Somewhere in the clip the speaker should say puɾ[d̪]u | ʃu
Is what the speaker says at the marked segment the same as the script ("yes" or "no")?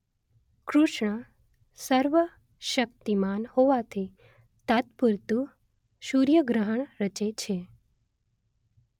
no